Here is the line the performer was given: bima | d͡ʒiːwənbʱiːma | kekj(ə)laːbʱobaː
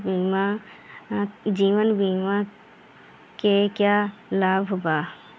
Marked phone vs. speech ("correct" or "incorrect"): incorrect